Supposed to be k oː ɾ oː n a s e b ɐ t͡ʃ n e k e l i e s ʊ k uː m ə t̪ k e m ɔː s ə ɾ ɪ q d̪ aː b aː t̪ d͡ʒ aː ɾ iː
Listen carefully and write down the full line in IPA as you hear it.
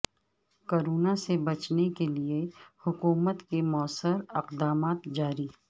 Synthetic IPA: k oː ɾ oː n a s e b ɐ t͡ʃ n e k e l i e h ʊ k uː m ə t̪ k e m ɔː s ə ɾ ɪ q d̪ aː m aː t̪ d͡ʒ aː ɾ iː